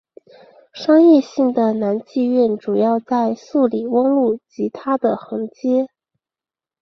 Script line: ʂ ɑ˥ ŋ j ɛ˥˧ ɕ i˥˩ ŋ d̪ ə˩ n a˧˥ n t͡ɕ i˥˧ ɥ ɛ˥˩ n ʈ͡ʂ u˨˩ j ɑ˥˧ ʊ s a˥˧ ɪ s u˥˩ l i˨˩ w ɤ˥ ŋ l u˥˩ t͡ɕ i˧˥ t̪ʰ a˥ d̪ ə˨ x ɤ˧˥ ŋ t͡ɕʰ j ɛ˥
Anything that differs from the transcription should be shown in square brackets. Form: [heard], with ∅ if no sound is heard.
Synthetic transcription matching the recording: ʂ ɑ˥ ŋ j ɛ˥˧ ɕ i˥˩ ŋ d̪ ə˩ n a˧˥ n t͡ɕ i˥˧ ɥ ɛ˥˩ n ʈ͡ʂ u˨˩ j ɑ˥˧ ʊ [t͡s] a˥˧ ɪ s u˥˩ l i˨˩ w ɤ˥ ŋ l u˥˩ t͡ɕ i˧˥ t̪ʰ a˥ d̪ ə˨ x ɤ˧˥ ŋ [t͡ɕ] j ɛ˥

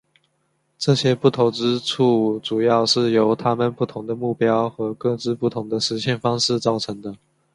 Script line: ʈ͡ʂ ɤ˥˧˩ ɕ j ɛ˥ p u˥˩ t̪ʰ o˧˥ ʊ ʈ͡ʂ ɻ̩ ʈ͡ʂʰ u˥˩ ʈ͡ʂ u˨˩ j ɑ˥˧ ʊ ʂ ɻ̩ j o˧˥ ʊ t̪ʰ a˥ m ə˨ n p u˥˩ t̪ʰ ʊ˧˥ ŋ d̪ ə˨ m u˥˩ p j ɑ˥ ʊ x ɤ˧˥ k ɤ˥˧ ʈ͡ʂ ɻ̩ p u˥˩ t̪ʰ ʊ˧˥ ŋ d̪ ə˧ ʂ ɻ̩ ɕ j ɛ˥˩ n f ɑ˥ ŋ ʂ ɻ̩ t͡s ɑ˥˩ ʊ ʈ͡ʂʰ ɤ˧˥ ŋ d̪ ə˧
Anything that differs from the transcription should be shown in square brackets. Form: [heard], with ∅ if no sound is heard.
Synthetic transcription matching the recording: ʈ͡ʂ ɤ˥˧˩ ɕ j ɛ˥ p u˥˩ t̪ʰ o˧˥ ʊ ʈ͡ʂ ɻ̩ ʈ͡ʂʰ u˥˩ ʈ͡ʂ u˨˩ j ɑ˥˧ ʊ ʂ ɻ̩ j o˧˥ ʊ t̪ʰ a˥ m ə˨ n p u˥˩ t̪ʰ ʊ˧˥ ŋ d̪ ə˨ m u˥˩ p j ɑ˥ ʊ x ɤ˧˥ k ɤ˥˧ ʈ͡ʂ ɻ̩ p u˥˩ t̪ʰ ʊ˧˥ ŋ d̪ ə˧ ʂ ɻ̩ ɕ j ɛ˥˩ n f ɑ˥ ŋ ʂ ɻ̩ t͡s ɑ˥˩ ʊ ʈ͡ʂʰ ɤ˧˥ ŋ d̪ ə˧

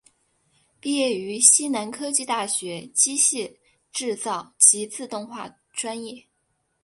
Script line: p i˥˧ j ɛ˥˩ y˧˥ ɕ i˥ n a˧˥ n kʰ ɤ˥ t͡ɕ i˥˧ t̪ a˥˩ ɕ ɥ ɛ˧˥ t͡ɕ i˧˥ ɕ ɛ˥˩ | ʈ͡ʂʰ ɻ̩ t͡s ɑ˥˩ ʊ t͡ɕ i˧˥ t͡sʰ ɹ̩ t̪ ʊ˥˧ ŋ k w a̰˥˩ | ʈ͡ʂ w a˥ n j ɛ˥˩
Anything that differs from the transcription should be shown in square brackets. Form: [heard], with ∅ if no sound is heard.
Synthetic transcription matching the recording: p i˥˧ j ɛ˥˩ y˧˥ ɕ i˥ n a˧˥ n kʰ ɤ˥ t͡ɕ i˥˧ t̪ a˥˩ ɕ ɥ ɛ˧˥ t͡ɕ [i˥] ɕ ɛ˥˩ | [ʈ͡ʂ] ɻ̩ t͡s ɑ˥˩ ʊ t͡ɕ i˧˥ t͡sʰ ɹ̩ t̪ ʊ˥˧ ŋ [x] w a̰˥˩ | ʈ͡ʂ w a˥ n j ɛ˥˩

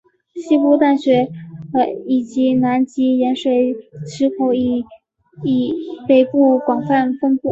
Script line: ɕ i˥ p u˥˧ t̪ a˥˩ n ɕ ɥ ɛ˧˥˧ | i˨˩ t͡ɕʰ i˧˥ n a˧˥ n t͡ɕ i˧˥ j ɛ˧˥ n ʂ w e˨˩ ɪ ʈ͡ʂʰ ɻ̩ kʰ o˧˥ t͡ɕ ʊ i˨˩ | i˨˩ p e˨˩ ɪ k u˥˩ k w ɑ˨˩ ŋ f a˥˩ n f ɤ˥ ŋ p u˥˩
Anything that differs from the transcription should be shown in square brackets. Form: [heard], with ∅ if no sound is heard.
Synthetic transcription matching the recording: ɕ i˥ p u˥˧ t̪ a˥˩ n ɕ ɥ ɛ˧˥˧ | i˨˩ [t͡ɕ] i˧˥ n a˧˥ n t͡ɕ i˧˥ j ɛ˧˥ n ʂ w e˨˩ ɪ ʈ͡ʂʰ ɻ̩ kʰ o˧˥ [∅] ʊ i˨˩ | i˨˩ p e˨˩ ɪ [p] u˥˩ k w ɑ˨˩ ŋ f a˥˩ n f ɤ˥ ŋ p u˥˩

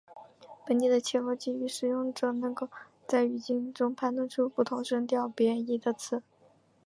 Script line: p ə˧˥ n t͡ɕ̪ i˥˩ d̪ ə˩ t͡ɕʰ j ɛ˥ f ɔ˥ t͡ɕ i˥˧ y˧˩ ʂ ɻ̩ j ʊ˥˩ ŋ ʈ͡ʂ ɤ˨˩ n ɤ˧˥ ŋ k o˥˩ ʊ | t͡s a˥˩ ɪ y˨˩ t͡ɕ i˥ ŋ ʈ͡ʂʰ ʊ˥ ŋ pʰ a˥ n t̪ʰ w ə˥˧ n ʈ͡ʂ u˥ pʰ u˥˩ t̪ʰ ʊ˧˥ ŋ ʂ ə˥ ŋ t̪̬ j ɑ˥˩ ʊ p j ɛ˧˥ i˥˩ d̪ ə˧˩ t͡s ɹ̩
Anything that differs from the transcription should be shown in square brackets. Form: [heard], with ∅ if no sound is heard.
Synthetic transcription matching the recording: p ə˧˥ n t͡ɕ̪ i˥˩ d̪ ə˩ t͡ɕʰ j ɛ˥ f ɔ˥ t͡ɕ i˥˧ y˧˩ ʂ ɻ̩ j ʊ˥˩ ŋ ʈ͡ʂ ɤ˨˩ n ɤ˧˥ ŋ k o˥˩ ʊ | t͡s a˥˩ ɪ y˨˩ t͡ɕ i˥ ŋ [ʈ͡ʂ] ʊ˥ ŋ pʰ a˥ n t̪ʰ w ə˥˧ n [ʈ͡ʂʰ] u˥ [p] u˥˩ t̪ʰ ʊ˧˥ ŋ ʂ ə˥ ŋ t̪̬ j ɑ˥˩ ʊ p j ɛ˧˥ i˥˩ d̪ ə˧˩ [t͡sʰ] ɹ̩

